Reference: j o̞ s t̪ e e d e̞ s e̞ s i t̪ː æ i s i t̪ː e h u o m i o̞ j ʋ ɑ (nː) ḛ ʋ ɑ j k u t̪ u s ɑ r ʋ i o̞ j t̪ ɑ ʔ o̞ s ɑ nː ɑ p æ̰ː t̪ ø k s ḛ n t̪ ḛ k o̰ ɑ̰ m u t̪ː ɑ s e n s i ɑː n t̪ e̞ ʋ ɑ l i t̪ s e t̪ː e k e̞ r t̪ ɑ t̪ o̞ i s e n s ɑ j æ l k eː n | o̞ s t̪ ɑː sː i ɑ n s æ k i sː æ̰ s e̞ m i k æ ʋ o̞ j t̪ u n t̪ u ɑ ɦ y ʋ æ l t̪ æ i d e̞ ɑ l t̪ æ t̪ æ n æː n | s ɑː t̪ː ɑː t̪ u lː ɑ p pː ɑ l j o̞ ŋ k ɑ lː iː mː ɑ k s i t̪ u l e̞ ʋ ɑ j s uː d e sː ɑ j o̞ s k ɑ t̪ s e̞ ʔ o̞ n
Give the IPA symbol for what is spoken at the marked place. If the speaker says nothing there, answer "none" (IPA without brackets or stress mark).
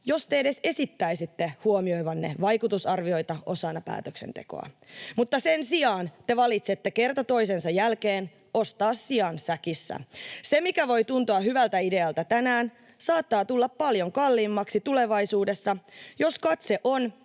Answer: nː